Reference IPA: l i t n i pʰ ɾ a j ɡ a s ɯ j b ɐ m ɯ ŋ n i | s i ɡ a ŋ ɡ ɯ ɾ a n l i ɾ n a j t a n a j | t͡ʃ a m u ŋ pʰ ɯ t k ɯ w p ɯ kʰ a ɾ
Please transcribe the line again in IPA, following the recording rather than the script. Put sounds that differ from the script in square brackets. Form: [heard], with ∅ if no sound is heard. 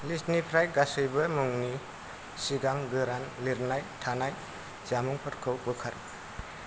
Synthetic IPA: l i [s] n i pʰ ɾ a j ɡ a s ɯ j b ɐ m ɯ ŋ n i | s i ɡ a ŋ ɡ ɯ ɾ a n l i ɾ n a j [tʰ] a n a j | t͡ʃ a m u ŋ pʰ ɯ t [kʰ] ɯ w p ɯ kʰ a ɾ